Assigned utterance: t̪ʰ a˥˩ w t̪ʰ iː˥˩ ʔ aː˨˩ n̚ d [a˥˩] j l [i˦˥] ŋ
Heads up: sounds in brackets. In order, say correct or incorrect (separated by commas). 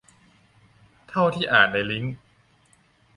incorrect, correct